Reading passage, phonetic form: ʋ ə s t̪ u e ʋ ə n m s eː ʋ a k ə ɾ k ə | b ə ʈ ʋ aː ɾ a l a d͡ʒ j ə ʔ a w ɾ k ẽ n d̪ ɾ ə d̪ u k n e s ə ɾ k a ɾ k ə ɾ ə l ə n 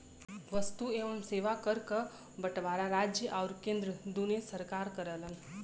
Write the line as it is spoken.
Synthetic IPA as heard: ʋ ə s t̪ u e ʋ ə m s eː ʋ a k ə ɾ k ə | b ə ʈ ʋ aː ɾ a ɾ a d͡ʒ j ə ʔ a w ɾ k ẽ n d̪ ɾ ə d̪ u n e s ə ɾ k a ɾ k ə ɾ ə l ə n